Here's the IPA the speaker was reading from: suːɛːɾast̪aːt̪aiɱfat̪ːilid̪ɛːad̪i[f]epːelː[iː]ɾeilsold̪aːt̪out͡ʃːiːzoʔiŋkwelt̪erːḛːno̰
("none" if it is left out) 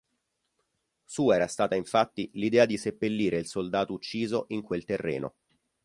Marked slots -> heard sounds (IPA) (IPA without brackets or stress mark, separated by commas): s, iː